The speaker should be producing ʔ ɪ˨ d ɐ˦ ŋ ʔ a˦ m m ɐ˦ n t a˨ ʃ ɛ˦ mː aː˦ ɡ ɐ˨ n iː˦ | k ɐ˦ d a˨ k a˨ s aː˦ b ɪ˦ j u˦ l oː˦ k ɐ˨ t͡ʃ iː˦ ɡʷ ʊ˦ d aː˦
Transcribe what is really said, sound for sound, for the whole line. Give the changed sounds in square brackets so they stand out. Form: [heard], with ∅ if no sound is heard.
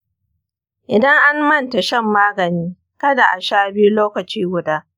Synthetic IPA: ʔ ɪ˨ d ɐ˦ ŋ ʔ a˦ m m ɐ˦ n t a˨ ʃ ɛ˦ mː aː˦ ɡ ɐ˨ n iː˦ | k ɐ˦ d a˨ [ʔ] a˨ [ʃ] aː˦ b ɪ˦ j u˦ l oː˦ k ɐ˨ t͡ʃ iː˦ ɡʷ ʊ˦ d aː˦